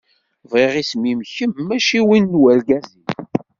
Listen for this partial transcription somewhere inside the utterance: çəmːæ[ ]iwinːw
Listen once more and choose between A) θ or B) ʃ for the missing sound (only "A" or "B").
B